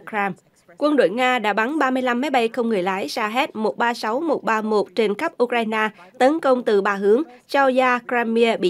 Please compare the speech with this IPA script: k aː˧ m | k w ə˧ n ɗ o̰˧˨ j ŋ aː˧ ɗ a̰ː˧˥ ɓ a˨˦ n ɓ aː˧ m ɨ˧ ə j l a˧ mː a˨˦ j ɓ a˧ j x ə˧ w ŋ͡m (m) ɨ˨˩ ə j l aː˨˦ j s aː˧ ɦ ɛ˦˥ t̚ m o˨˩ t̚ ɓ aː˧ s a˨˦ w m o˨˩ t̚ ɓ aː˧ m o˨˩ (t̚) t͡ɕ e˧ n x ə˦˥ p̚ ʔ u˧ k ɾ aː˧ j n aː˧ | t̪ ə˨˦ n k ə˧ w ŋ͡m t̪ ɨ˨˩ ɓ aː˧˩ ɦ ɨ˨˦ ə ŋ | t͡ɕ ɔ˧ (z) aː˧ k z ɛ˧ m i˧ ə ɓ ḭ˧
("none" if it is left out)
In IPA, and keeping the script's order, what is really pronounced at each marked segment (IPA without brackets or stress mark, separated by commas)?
ŋ, t̚, z